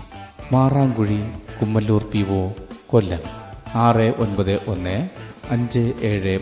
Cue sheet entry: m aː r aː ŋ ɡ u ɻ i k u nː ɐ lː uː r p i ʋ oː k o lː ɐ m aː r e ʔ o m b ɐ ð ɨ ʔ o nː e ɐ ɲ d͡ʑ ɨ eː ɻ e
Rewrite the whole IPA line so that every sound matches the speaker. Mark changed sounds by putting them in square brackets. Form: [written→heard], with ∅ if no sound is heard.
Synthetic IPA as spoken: m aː r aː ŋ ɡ u ɻ i k u [nː→mː] ɐ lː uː r p i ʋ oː k o lː ɐ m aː r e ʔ o [m→n] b ɐ ð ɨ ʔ o nː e ɐ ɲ d͡ʑ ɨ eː ɻ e